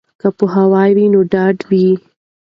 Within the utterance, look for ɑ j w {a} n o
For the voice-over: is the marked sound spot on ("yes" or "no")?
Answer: no